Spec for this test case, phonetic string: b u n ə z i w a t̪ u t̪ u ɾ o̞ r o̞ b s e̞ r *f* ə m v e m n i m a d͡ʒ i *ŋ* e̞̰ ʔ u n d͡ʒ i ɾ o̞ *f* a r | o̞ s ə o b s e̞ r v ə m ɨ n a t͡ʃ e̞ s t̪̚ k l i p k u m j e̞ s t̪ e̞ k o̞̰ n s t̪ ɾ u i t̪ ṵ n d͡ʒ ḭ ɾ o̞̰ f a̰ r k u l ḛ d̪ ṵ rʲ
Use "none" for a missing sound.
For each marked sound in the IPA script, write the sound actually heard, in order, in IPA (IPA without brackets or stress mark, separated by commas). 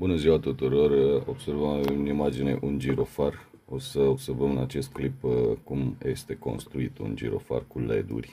v, n, f